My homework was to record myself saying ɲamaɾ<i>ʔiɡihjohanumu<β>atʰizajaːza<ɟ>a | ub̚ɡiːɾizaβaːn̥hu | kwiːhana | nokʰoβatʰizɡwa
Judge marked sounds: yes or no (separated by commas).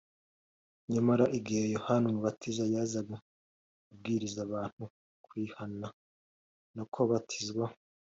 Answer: no, yes, no